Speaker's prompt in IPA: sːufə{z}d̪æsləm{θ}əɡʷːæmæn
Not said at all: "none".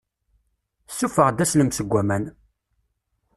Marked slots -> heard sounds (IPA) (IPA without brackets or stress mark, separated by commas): ʁ, s